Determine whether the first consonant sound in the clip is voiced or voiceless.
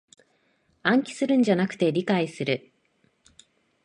voiced